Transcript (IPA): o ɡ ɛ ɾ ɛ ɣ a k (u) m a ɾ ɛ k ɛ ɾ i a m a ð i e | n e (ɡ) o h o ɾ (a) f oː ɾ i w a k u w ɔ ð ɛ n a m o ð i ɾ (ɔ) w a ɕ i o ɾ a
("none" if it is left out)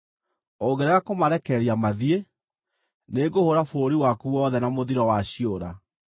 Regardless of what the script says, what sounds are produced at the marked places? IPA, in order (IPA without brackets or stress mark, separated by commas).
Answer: o, ɡ, a, ɔ